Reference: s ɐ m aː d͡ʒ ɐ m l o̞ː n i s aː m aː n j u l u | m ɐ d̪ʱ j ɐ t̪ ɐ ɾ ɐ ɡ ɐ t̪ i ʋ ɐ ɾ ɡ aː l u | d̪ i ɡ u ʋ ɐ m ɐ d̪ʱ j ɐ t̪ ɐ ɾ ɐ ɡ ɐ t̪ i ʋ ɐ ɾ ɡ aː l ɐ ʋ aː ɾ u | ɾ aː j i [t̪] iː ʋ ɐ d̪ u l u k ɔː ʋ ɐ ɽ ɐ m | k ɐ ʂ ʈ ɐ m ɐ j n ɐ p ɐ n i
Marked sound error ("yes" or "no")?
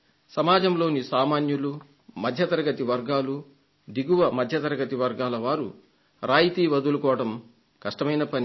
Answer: no